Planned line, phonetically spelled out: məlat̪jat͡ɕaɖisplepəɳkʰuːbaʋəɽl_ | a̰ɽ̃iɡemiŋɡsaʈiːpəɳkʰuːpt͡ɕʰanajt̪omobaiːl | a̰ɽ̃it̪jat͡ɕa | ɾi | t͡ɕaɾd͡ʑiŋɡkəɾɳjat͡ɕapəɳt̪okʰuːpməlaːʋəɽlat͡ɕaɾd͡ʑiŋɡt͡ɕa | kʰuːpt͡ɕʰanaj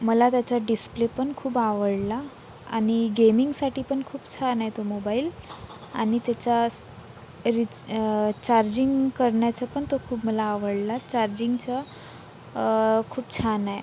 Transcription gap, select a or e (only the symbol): a